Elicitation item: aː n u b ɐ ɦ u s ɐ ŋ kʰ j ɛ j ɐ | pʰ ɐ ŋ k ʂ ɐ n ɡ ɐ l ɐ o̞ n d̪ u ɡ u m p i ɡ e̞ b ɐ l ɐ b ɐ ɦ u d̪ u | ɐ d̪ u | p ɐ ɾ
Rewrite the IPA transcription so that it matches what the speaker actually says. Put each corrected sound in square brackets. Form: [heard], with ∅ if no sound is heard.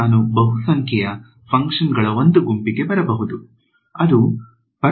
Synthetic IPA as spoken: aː n u b ɐ ɦ u s ɐ ŋ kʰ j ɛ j ɐ | pʰ ɐ ŋ k ʂ ɐ n ɡ ɐ [ɭ] ɐ o̞ n d̪ u ɡ u m p i ɡ e̞ b ɐ [ɾ] ɐ b ɐ ɦ u d̪ u | ɐ d̪ u | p ɐ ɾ